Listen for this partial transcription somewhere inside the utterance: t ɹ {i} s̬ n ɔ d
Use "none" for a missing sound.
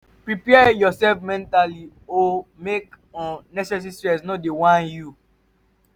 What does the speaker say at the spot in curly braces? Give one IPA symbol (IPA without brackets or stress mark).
ɛ